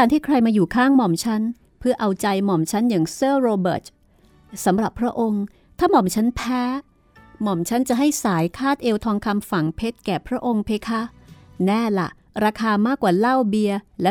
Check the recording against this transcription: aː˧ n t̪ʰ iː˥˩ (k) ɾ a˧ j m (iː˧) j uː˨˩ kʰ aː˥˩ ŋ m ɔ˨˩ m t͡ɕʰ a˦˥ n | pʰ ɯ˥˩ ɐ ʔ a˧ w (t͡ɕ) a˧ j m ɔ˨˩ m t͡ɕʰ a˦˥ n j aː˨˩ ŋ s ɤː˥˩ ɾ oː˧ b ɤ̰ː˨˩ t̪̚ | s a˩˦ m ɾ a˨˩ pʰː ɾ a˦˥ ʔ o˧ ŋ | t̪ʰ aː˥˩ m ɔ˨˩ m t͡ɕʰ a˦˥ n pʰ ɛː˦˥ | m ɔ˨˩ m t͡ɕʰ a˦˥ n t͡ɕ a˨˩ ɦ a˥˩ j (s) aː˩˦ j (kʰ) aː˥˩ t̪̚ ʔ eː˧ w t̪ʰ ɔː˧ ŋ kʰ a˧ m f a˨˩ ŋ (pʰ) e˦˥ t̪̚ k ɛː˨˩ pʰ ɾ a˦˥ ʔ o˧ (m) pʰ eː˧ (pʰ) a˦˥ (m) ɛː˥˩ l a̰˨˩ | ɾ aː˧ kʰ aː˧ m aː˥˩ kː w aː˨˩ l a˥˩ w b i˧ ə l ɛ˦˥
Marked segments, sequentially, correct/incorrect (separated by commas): incorrect, incorrect, correct, correct, correct, correct, incorrect, incorrect, incorrect